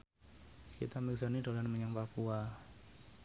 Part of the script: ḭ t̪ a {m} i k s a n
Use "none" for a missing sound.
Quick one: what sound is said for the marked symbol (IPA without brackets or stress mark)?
m